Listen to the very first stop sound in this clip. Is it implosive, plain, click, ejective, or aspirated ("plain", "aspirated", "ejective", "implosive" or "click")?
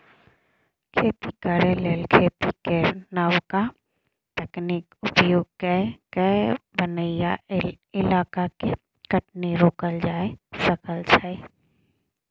aspirated